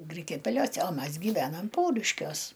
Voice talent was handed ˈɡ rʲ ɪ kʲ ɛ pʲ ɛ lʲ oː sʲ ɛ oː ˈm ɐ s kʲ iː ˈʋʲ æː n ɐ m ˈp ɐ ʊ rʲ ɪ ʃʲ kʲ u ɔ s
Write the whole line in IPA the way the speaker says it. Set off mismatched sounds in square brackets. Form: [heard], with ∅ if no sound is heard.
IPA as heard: ˈɡ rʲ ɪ kʲ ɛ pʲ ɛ lʲ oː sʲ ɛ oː ˈm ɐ s [ɡʲ] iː ˈʋʲ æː n ɐ m ˈp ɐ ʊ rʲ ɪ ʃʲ kʲ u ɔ s